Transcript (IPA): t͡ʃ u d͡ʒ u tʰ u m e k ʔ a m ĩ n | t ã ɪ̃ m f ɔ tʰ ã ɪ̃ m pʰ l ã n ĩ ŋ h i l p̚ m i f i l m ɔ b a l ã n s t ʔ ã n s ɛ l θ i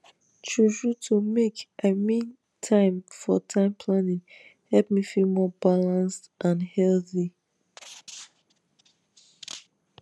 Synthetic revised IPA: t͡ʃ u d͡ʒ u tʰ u m e k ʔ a m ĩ n | tʰ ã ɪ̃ m f ɔ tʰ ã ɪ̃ m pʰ l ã n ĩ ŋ h ɛ l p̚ m i f i l m ɔ b a l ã n s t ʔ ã n h ɛ l θ i

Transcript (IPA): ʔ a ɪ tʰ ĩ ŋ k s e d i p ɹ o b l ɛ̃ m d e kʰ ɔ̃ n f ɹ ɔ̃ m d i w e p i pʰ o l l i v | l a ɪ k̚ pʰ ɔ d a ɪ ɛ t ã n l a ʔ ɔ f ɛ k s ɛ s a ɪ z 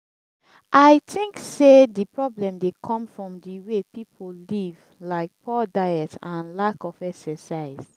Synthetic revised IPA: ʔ a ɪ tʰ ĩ ŋ k s e d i p ɹ ɔ b l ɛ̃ m d e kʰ ɔ̃ m f ɹ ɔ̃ m d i w e p i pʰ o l l i v | l a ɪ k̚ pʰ ɔ d a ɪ ɛ t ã n l a k ɔ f ɛ k s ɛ s a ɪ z

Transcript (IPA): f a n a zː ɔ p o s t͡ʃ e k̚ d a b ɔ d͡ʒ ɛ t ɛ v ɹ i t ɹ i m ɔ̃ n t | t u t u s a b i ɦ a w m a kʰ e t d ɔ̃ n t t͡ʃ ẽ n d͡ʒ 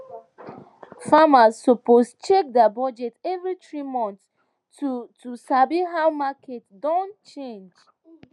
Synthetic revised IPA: f a m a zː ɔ p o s t͡ʃ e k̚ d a b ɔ d͡ʒ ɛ t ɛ v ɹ i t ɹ i m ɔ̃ n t | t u t u s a b i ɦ a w m a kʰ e t d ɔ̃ n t t͡ʃ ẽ n d͡ʒ

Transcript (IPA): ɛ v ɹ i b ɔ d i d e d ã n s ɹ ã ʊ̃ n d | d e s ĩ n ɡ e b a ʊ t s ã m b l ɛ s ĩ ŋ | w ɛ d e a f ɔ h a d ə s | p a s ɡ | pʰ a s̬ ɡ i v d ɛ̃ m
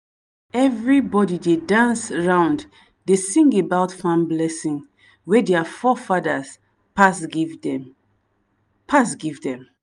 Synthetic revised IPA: ɛ v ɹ i b ɔ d i d e d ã n s ɹ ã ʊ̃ n d | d e s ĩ ŋ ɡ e b a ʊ t f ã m b l ɛ s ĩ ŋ | w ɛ d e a f ɔ f a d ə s | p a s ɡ | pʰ a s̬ ɡ i v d ɛ̃ m

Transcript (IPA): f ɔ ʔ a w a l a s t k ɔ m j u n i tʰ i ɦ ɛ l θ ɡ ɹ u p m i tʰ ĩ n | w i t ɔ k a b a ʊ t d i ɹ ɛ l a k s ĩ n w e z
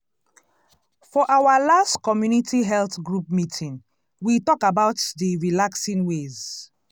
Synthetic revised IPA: f ɔ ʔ a w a l a s t k ɔ m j u n i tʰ i ɦ ɛ l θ ɡ ɹ u p m i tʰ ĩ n | w i t ɔ k a b a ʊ t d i ɹ i l a k s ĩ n w e z

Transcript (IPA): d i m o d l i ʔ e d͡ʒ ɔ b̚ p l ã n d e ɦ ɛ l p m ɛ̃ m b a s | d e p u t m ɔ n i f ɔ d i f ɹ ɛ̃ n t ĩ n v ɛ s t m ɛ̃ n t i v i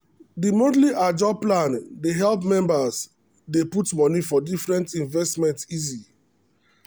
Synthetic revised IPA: d i m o d l i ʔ a d͡ʒ ɔ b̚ p l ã n d e ɦ ɛ l p m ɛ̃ m b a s | d e p u t m ɔ n i f ɔ d i f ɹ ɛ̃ n t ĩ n v ɛ s t m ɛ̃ n t i z i

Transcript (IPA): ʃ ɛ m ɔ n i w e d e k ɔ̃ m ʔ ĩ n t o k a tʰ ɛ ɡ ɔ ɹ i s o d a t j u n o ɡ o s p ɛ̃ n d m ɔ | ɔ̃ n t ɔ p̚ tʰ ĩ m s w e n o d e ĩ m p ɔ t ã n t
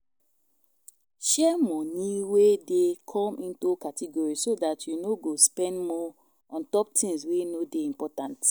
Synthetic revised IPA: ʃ ɛ m ɔ n i w e d e kʰ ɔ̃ m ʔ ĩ n t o k a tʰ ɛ ɡ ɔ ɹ i s o d a t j u n o ɡ o s p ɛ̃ n d m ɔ | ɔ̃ n t ɔ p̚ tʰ ĩ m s w e n o d e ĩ m p ɔ t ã n t

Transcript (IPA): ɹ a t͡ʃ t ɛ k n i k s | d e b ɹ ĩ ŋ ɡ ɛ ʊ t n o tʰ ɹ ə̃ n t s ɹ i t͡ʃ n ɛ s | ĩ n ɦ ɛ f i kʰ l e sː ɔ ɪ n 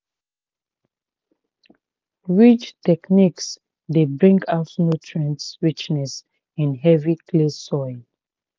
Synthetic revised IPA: ɹ i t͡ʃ t ɛ k n i k s | d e b ɹ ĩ ŋ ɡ a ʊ t n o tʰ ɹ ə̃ n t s ɹ i t͡ʃ n ɛ s | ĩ n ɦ ɛ v i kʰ l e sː ɔ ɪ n

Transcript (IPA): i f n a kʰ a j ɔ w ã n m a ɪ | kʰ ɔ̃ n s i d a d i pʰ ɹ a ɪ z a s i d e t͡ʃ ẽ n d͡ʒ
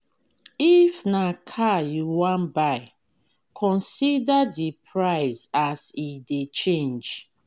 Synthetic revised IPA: i f n a kʰ a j u w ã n b a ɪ | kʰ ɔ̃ n s i d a d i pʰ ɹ a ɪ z a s i d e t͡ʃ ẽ n d͡ʒ

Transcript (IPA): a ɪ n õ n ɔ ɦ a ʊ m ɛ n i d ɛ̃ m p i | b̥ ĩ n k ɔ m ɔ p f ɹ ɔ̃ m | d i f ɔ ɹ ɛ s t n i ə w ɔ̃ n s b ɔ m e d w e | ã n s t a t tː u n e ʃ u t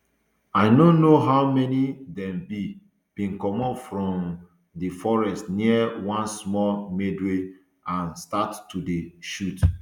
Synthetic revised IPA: a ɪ n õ n o ɦ a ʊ m ɛ n i d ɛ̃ m b i | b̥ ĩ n k ɔ m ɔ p f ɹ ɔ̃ m | d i f ɔ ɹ ɛ s t n i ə w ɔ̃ n s m ɔ m e d w e | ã n s t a t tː u d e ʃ u t

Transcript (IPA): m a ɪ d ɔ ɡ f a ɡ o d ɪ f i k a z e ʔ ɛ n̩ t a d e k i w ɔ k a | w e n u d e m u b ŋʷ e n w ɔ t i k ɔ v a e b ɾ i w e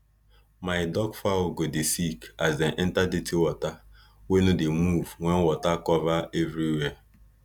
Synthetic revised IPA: m a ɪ d ɔ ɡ f a ɡ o d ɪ s i k a z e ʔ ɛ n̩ t a d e t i w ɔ t a | w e n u d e m u v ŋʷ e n w ɔ t a k ɔ v a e v ɾ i w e

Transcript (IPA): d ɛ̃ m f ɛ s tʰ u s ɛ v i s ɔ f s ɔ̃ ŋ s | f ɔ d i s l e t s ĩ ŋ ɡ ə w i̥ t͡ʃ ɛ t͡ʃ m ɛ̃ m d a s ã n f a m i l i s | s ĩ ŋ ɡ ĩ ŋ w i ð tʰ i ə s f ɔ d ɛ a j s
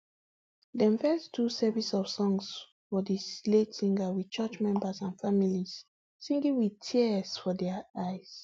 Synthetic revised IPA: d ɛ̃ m f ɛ s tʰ u s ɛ v i s ɔ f s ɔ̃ ŋ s | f ɔ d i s l e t s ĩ ŋ ɡ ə w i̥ t͡ʃ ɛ t͡ʃ m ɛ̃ m b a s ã n f a m i l i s | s ĩ ŋ ɡ ĩ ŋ w i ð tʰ i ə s f ɔ d ɛ a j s

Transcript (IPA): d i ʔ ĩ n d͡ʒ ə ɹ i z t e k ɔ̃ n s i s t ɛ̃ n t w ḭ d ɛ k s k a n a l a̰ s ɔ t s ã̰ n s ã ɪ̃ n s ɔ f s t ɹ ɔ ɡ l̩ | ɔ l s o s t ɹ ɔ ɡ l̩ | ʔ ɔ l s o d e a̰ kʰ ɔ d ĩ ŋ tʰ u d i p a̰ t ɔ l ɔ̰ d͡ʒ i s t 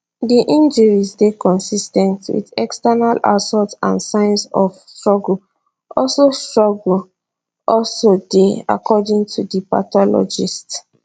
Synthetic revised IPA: d i ʔ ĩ n d͡ʒ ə ɹ i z d e k ɔ̃ n s i s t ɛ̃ n t w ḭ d ɛ k s t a n a l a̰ s ɔ t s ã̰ n s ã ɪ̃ n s ɔ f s t ɹ ɔ ɡ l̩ | ɔ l s o s t ɹ ɔ ɡ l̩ | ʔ ɔ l s o d e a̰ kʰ ɔ d ĩ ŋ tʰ u d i p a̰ t ɔ l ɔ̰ d͡ʒ i s t

